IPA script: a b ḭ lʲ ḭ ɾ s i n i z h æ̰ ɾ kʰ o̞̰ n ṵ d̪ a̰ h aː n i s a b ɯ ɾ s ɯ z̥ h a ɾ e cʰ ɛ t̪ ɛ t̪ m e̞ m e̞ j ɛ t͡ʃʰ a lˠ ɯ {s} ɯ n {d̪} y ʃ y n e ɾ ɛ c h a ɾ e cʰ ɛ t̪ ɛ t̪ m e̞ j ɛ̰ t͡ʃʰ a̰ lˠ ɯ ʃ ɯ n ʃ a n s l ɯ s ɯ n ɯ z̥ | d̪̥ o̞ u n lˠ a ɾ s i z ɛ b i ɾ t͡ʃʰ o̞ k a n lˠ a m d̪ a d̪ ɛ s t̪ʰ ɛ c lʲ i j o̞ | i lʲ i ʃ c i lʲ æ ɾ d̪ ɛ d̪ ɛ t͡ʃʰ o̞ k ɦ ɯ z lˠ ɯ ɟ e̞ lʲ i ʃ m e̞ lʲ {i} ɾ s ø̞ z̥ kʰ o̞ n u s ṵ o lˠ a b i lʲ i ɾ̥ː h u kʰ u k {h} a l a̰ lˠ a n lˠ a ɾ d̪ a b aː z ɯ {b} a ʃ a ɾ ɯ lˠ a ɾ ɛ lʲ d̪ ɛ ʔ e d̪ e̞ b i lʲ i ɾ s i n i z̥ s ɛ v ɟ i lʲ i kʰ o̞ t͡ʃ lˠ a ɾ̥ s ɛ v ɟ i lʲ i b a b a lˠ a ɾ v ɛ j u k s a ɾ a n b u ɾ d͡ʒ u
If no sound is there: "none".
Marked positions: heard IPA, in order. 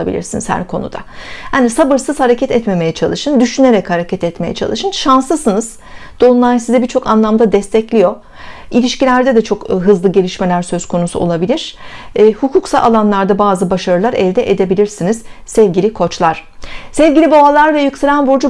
ʃ, d̪, æ, s, b

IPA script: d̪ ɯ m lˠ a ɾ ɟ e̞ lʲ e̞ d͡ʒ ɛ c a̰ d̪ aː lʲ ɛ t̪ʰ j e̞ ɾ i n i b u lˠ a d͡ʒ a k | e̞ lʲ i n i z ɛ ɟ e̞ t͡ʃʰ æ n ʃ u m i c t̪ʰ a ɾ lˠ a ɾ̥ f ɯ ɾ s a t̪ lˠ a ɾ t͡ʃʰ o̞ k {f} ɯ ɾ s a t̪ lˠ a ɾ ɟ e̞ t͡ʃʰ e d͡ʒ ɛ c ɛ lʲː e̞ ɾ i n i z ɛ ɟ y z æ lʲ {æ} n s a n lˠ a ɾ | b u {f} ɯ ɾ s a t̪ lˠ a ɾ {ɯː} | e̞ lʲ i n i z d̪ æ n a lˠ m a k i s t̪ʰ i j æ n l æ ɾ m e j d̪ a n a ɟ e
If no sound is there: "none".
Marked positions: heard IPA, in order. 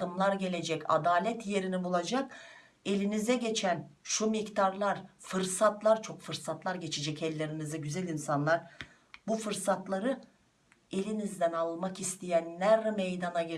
f, i, f, ɯ

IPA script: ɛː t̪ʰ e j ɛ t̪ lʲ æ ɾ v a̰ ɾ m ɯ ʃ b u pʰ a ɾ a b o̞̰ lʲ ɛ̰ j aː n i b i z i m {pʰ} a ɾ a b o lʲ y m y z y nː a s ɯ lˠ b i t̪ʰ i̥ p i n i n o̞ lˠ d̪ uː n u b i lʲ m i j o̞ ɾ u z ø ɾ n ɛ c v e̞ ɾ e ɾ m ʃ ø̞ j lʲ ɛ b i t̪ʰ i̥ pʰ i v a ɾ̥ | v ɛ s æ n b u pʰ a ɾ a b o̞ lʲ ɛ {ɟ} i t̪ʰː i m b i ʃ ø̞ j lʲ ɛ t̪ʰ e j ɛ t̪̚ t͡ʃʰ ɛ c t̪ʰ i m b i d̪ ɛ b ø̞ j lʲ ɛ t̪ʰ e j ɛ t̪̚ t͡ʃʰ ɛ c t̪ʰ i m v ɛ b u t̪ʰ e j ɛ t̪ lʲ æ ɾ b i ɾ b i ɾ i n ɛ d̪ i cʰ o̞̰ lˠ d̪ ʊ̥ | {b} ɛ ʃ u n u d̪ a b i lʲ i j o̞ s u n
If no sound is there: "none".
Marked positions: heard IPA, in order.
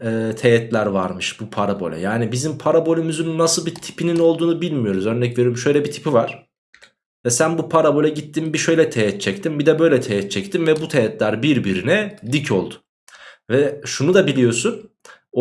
pʰ, ɟ, v

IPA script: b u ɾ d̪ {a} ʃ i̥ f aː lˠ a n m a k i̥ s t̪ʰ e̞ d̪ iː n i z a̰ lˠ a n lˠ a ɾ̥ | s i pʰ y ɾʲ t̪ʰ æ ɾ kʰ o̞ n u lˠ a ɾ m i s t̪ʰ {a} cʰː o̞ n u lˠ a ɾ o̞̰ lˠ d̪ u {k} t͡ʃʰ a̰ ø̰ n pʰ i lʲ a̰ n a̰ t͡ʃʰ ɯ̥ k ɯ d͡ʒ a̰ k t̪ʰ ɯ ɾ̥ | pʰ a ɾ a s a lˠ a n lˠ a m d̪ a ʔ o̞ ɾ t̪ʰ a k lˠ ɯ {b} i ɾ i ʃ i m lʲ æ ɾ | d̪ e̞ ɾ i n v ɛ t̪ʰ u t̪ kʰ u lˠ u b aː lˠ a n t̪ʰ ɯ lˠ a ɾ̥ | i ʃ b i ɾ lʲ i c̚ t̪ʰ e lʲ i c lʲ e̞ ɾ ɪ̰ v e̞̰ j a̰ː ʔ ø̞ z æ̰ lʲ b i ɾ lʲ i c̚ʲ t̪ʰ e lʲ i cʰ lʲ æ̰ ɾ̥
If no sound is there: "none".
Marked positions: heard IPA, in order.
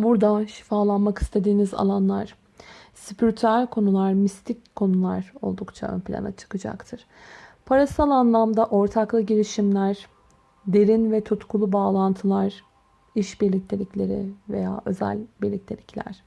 a, i, k, ɟ

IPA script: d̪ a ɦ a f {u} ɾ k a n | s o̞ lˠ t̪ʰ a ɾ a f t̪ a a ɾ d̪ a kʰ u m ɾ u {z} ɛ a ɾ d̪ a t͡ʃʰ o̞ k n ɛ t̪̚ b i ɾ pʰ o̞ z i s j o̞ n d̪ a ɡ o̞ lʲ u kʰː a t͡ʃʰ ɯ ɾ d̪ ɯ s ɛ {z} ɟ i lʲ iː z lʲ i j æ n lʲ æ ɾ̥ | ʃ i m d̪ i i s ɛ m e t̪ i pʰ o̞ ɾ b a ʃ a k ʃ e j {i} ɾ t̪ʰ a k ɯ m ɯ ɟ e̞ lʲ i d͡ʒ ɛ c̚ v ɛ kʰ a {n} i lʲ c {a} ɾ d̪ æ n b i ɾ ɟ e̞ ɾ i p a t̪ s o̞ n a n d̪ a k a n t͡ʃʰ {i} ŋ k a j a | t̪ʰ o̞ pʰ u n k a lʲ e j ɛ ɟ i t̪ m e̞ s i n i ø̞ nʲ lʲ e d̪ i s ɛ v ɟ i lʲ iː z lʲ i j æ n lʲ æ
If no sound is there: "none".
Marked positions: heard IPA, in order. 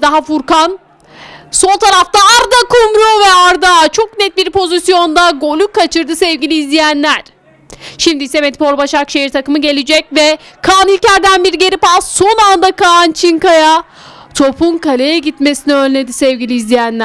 u, v, v, i, n, æ, i

